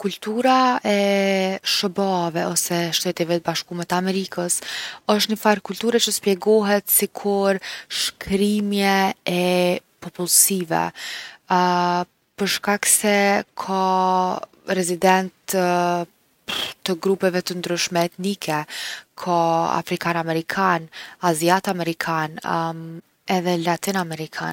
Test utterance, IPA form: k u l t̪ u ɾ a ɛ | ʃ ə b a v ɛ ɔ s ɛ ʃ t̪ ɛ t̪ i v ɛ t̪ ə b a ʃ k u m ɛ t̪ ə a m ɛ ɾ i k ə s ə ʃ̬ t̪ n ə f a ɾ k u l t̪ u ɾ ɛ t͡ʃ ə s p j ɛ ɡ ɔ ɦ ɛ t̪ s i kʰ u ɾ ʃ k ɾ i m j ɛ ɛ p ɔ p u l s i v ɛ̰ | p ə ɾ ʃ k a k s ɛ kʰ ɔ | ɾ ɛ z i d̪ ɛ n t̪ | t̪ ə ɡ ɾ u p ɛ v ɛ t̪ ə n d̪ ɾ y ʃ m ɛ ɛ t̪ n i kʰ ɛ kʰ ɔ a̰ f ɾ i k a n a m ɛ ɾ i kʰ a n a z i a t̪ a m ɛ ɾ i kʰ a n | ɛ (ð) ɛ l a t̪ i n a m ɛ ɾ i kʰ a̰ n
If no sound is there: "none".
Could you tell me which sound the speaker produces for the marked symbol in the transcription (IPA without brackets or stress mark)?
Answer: ð